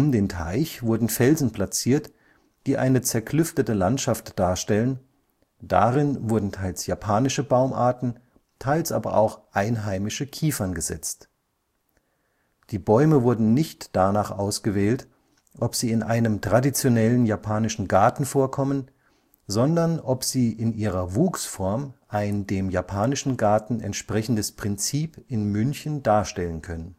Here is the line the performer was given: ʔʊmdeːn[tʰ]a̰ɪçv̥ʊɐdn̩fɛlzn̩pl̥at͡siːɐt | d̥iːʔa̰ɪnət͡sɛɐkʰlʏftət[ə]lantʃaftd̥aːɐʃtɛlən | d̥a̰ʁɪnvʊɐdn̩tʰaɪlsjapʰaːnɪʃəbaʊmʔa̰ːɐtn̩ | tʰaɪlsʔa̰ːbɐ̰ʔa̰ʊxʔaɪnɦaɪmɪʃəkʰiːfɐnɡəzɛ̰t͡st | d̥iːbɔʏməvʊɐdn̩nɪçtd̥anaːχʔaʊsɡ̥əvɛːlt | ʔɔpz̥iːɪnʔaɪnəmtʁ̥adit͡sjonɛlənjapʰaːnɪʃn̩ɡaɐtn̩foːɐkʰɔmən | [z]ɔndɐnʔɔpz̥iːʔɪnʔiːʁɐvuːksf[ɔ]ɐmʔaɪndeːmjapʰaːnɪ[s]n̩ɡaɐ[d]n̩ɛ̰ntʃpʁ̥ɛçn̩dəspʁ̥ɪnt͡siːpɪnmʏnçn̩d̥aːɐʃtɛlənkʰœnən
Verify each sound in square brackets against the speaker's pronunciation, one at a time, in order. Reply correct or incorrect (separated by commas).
correct, correct, correct, correct, incorrect, incorrect